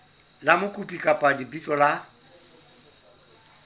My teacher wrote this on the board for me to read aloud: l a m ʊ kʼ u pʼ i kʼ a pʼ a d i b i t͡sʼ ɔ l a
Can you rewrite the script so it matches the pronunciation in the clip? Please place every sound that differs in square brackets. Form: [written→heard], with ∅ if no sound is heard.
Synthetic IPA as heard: l a m ʊ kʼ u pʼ i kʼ a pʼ a d i b i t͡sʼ ɔ l a